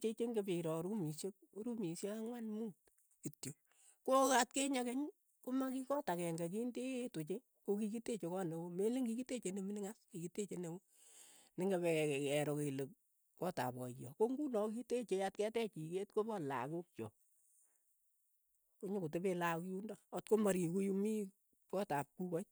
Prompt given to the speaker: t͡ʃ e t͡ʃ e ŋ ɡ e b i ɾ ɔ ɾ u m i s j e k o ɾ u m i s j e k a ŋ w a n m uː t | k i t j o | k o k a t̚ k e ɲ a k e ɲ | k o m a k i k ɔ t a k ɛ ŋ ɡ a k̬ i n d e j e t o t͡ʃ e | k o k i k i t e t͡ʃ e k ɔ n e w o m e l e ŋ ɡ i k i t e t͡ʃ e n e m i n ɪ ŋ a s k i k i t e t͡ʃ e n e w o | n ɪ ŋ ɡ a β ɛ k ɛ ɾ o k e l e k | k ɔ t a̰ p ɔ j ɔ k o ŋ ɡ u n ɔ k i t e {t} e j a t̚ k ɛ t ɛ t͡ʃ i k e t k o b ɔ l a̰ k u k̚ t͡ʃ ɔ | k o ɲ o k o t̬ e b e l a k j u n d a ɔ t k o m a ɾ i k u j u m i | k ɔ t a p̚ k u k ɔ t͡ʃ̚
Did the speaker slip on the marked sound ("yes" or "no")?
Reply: yes